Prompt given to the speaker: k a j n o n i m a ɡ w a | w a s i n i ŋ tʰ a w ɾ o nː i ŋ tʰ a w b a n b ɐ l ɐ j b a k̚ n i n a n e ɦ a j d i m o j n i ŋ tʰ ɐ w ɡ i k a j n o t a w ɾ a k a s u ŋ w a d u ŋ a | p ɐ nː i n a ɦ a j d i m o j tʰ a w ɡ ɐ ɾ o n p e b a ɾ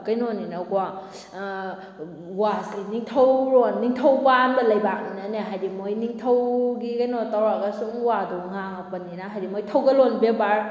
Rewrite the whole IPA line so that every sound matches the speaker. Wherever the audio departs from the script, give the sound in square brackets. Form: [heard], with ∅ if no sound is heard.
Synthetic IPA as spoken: k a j n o n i [n] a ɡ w a | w a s i n i ŋ tʰ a w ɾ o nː i ŋ tʰ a w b a n b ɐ l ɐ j b a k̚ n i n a n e ɦ a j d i m o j n i ŋ tʰ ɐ w ɡ i k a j n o t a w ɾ a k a s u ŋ w a d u ŋ a | p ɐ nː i n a ɦ a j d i m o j tʰ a w ɡ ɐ [l] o n [b] e b a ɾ